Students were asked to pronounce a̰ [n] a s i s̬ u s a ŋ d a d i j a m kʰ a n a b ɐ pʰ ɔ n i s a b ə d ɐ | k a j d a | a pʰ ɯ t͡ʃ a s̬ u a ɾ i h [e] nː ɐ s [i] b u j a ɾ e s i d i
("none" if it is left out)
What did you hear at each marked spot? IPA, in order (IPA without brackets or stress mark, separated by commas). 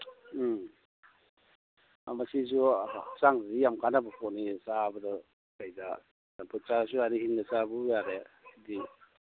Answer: m, i, a